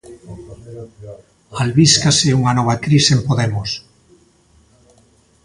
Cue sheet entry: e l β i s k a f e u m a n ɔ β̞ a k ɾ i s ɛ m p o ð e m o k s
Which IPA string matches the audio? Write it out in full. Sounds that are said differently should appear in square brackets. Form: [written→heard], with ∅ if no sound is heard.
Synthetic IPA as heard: [e→a] l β i s k a [f→s] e u [m→ŋ] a n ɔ β̞ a k ɾ i s [ɛ→e] m p o ð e m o [k→∅] s